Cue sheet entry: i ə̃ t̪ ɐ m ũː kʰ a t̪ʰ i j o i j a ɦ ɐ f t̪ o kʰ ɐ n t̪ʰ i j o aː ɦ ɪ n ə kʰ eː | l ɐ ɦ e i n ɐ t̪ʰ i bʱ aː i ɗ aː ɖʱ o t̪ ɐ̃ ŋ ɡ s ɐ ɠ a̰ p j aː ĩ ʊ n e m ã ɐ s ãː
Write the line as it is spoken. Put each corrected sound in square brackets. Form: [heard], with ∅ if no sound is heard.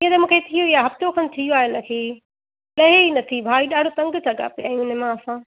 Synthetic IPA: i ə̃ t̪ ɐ m ũː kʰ [e] t̪ʰ i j o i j a ɦ ɐ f t̪ o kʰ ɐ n t̪ʰ i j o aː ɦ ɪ n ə kʰ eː | l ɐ ɦ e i n ɐ t̪ʰ i bʱ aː i ɗ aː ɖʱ o t̪ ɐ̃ ŋ ɡ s ɐ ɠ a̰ p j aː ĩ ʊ n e m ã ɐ s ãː